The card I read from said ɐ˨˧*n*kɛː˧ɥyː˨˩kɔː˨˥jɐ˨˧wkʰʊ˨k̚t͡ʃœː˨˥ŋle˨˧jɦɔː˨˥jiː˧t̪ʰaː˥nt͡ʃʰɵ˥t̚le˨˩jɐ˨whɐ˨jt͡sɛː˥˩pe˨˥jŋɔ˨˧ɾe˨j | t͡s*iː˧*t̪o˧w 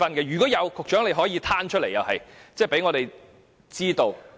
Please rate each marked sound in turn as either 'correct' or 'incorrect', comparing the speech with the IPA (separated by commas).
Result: correct, incorrect